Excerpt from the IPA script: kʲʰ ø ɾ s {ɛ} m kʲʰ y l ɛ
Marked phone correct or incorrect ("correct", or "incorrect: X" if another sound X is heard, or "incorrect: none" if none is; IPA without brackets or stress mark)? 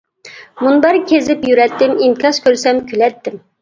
correct